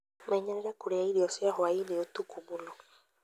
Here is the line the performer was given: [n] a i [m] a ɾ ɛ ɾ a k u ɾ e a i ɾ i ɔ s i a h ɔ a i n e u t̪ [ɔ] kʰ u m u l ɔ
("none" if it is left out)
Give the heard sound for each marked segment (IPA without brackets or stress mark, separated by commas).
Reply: m, ɲ, u